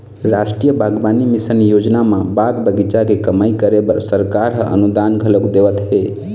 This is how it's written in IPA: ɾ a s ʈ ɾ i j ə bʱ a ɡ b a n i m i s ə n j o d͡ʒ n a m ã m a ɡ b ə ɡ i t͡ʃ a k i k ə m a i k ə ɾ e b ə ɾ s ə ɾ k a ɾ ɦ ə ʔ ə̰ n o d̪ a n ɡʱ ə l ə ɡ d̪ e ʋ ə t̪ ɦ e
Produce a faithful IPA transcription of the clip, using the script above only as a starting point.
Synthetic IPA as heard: ɾ a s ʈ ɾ i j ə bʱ a ɡ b a n i m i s ə n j o d͡ʒ n a m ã b a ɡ b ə ɡ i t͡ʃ a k e k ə m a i k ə ɾ e b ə ɾ s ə ɾ k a ɾ ɦ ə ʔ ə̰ n u d̪ a n ɡʱ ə l ə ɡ d̪ e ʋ ə t̪ ɦ e